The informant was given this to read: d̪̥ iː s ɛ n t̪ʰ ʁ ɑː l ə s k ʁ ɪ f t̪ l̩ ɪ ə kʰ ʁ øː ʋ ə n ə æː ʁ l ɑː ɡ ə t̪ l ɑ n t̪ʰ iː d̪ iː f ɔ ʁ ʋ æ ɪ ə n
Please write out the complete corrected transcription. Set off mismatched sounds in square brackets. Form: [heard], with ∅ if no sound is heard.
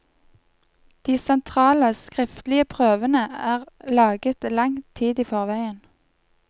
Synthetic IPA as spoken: d̪̥ iː s ɛ n t̪ʰ ʁ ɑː l ə s k ʁ ɪ f t̪ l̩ ɪ ə [pʰ] ʁ øː ʋ ə n ə æː ʁ l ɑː ɡ ə t̪ l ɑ [ŋ] t̪ʰ iː d̪ iː f ɔ ʁ ʋ æ ɪ ə n